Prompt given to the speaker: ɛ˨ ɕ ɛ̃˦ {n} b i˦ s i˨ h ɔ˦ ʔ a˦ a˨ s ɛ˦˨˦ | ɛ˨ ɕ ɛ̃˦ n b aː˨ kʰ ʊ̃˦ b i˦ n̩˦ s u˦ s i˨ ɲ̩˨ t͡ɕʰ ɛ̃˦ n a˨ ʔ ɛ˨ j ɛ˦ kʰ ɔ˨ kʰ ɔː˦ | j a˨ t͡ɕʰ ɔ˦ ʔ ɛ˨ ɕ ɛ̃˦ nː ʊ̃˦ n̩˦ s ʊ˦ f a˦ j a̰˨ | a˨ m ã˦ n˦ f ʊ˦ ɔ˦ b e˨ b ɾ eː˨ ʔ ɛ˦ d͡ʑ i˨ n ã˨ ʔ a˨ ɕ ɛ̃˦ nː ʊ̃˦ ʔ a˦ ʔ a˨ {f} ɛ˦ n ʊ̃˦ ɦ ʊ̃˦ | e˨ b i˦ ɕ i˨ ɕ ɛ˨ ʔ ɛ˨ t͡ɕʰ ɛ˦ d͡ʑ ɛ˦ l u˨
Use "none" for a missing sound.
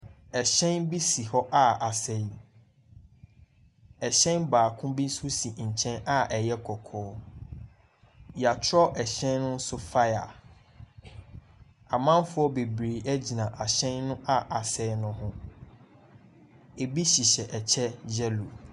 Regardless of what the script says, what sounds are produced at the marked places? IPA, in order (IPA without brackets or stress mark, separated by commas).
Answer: n, s